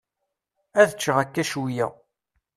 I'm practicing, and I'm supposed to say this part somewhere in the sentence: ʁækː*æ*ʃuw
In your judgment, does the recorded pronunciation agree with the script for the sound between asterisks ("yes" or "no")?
yes